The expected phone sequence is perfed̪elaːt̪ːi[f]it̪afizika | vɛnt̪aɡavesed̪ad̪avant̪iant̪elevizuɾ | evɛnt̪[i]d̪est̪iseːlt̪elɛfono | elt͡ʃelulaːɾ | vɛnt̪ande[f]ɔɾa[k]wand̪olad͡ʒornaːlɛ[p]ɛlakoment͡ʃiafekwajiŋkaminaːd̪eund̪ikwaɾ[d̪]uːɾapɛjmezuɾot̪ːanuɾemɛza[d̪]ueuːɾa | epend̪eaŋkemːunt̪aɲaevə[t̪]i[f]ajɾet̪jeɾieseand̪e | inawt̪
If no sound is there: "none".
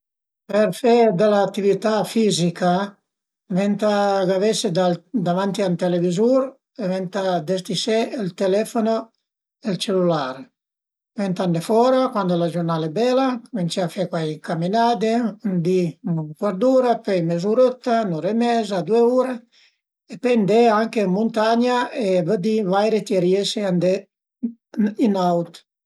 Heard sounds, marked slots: v, a, f, k, b, d̪, d̪, d̪, v

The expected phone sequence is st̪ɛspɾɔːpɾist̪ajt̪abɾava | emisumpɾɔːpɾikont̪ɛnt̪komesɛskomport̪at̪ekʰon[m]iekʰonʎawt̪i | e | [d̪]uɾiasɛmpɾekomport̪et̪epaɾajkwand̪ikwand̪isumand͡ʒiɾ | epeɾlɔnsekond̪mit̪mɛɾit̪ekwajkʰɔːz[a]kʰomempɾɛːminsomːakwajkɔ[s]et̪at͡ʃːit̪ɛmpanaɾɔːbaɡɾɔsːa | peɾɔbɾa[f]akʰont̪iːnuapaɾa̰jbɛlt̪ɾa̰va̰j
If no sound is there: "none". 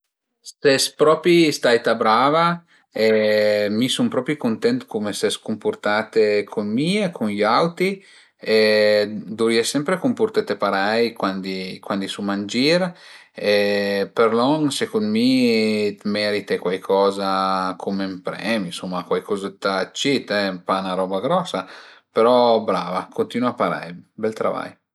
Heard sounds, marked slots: m, d̪, a, z, v

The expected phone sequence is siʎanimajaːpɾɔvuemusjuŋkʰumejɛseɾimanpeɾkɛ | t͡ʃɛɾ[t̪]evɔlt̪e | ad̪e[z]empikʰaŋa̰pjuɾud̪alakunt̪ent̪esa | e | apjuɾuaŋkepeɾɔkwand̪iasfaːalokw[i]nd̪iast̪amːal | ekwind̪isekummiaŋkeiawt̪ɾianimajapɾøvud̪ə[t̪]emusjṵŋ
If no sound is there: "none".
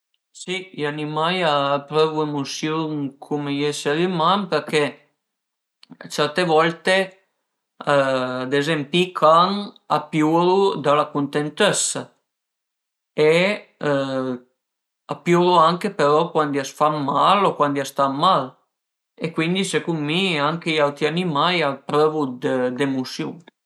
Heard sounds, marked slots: t̪, z, a, d̪

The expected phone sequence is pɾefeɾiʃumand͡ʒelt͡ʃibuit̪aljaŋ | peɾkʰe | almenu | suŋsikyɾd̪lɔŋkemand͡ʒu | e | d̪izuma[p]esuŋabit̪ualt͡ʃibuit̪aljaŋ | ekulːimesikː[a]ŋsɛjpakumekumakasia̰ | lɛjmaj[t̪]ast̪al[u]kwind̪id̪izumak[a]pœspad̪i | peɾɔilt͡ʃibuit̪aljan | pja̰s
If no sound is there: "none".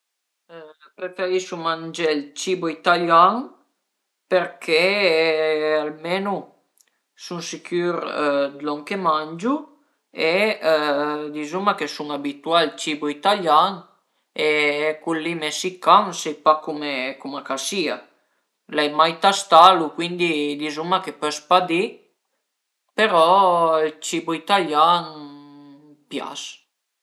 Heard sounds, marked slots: k, a, t̪, u, e

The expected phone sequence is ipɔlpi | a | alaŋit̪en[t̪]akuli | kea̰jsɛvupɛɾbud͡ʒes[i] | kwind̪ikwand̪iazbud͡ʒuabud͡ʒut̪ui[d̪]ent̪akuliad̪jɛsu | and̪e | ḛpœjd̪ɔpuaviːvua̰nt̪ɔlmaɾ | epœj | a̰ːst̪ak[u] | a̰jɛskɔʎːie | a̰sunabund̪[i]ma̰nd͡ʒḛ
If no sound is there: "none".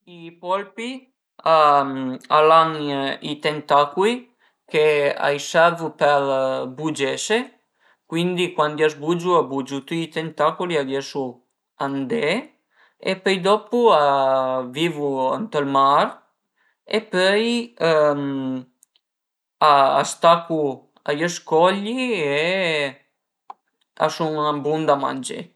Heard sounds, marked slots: t̪, e, t̪, u, a

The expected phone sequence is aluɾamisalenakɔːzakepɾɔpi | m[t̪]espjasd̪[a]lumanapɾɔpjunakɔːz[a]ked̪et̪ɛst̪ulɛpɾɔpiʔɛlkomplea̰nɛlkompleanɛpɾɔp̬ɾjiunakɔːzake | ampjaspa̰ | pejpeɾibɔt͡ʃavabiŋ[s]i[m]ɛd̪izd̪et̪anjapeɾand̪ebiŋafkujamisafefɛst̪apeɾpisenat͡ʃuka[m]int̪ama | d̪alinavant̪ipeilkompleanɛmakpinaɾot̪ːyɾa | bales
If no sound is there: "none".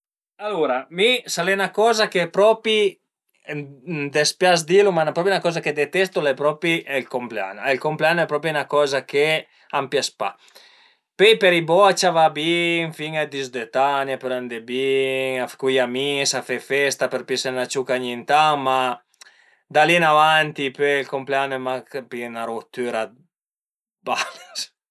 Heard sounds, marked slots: d̪, i, a, f, ŋ, ɲ

